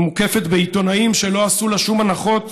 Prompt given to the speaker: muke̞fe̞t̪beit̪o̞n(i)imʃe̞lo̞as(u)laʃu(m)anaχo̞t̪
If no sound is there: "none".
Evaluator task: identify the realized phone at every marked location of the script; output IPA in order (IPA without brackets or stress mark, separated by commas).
a, u, m